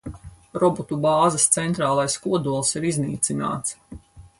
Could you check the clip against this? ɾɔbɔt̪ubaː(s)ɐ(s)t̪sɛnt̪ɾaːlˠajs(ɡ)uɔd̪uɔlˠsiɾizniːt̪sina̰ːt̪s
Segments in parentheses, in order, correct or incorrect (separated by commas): incorrect, correct, incorrect